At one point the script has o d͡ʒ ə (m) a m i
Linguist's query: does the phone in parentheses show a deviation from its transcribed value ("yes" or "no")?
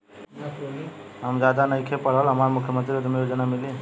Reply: yes